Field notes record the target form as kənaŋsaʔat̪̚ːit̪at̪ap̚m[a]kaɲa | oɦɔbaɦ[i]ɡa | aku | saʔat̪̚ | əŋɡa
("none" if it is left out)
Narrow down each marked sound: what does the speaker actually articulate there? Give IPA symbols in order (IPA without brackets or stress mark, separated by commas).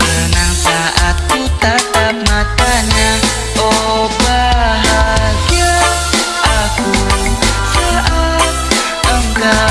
a, a